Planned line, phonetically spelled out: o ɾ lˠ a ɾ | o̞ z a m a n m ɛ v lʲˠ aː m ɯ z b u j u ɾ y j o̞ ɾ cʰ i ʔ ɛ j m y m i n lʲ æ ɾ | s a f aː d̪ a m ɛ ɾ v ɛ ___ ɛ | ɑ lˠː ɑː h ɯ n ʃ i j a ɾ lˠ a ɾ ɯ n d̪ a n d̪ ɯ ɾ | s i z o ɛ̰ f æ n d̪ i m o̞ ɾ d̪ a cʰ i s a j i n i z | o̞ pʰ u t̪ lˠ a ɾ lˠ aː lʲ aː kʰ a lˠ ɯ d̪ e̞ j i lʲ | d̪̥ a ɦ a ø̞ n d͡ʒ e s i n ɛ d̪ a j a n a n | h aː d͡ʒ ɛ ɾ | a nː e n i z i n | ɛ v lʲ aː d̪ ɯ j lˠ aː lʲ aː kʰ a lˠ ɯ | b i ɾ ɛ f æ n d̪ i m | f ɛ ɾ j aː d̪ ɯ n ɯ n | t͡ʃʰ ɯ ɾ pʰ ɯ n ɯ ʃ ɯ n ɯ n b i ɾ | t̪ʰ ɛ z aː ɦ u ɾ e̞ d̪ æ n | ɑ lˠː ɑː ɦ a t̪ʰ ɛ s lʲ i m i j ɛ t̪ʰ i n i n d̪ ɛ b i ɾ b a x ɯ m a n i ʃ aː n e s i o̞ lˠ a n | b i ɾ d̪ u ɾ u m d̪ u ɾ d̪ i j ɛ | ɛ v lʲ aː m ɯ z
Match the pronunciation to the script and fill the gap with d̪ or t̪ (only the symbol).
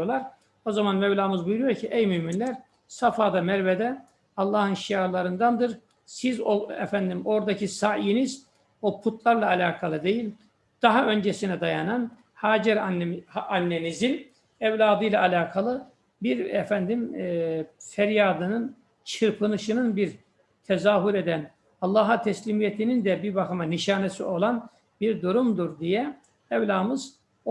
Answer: d̪